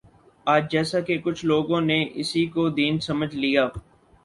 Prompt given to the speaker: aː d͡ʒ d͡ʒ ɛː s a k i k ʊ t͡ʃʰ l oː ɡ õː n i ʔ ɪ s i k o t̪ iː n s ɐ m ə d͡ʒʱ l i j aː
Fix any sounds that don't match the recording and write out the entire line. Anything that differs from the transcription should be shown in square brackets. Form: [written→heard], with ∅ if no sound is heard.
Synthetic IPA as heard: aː d͡ʒ d͡ʒ ɛː s a k [i→e] k ʊ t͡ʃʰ l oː ɡ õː n [i→e] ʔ ɪ s i k o [t̪→d̪] iː n s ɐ m ə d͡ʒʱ l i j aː